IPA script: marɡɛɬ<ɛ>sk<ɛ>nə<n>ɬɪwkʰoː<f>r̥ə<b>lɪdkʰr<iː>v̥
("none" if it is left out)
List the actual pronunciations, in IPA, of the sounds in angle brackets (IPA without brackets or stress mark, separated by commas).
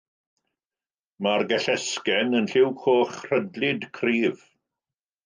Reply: ɛ, ɛ, n, χ, d, iː